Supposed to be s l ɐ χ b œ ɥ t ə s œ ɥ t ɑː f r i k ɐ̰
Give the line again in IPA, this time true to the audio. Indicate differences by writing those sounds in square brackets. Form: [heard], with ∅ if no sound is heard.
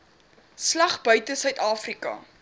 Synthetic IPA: s l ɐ χ b œ ɥ t ə s œ ɥ t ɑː f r i k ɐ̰